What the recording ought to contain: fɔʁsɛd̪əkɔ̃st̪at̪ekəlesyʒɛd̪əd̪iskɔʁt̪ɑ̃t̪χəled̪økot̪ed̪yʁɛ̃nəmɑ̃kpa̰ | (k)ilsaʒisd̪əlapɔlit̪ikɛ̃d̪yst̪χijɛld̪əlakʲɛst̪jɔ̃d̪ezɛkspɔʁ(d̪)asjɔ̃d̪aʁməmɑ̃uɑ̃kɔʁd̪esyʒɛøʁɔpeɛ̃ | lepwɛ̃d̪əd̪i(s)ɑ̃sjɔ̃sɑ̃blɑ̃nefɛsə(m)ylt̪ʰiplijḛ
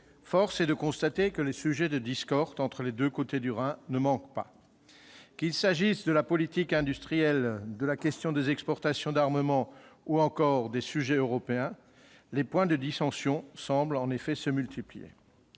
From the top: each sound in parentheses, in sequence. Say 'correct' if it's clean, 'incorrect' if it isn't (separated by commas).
correct, incorrect, correct, correct